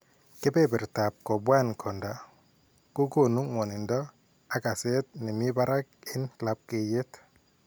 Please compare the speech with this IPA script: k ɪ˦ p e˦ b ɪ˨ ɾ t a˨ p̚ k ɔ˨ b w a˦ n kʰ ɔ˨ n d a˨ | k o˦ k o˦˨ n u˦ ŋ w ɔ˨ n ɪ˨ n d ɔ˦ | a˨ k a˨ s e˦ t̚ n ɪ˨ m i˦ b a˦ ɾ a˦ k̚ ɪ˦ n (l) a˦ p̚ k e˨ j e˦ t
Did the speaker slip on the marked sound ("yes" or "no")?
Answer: no